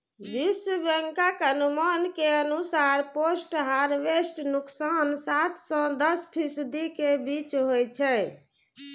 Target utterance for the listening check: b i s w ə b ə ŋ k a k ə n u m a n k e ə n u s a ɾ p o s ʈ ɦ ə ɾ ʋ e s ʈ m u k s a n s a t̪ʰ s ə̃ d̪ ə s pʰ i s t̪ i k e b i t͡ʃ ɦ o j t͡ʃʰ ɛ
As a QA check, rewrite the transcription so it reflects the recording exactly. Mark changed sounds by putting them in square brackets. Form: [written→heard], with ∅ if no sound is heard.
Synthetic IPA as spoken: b i s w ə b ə ŋ k a k ə n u m a n k e ə n u s a ɾ p o s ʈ ɦ [ə→a] ɾ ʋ e s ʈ [m→n] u k s a n s a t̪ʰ s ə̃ d̪ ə s pʰ i s [t̪→d̪] i k e b i t͡ʃ ɦ o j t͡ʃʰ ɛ